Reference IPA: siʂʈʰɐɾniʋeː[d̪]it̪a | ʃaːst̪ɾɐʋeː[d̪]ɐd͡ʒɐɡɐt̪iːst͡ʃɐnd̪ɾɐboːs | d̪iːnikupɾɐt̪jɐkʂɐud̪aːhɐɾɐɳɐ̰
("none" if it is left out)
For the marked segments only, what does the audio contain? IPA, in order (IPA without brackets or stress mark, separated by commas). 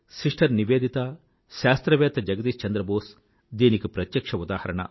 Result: d̪, t̪